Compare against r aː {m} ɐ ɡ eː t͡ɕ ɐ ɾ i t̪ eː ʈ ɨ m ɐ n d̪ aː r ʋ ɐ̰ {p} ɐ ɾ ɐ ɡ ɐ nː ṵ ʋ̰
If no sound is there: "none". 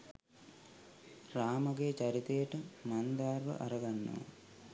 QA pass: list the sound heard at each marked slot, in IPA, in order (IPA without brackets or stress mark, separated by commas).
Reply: m, ʔ